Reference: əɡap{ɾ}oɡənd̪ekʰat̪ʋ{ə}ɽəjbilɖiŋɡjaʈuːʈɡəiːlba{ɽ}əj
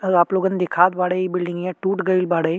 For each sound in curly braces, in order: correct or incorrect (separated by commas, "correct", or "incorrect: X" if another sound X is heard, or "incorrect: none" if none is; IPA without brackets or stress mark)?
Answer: incorrect: l, incorrect: a, correct